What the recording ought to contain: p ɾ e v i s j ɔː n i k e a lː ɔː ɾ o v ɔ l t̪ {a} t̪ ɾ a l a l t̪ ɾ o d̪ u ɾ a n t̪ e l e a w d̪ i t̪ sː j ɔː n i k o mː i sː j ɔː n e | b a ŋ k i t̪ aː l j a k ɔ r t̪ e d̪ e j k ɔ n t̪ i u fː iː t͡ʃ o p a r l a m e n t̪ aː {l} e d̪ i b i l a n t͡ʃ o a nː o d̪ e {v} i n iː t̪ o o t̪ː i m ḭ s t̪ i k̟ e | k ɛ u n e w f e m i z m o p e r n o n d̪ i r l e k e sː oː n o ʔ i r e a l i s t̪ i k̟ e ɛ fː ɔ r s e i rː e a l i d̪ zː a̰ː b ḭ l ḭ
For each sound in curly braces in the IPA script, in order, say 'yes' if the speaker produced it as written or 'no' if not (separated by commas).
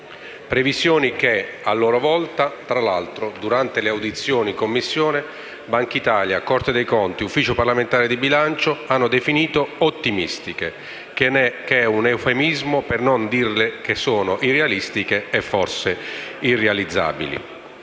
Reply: yes, no, no